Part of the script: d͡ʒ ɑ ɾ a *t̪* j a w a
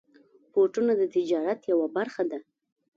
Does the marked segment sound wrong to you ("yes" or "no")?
no